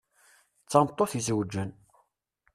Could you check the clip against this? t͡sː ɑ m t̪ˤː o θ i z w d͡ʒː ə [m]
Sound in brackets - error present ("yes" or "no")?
yes